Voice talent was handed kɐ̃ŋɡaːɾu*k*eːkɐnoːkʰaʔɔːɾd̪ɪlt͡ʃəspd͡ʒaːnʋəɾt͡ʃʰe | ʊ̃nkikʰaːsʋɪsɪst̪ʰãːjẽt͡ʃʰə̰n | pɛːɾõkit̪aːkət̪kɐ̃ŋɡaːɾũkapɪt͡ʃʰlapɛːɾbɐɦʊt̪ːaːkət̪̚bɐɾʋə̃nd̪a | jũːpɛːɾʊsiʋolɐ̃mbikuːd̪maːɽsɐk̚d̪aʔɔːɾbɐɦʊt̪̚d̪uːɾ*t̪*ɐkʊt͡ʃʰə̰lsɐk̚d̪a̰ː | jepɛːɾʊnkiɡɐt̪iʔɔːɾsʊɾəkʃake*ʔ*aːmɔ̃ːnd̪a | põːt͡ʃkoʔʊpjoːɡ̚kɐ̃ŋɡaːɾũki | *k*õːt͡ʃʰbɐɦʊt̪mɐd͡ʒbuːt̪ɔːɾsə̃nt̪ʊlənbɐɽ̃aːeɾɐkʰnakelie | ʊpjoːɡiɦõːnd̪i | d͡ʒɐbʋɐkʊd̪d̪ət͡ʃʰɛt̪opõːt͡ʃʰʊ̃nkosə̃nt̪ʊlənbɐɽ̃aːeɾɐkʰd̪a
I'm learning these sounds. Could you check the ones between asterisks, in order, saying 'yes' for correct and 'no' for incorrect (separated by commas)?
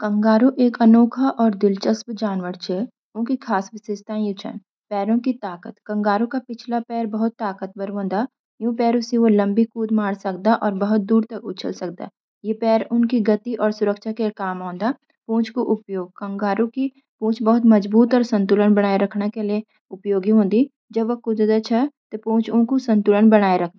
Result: no, yes, no, no